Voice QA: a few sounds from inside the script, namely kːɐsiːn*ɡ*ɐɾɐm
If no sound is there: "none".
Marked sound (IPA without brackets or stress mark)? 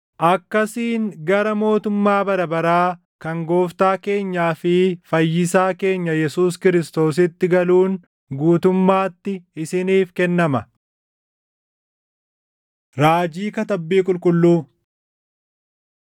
ɡ